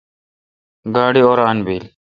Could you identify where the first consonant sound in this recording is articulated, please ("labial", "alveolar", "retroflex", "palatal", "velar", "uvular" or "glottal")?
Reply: velar